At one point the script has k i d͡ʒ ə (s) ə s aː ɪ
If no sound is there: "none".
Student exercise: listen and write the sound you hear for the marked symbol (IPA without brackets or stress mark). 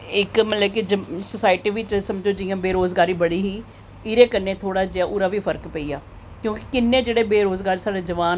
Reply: s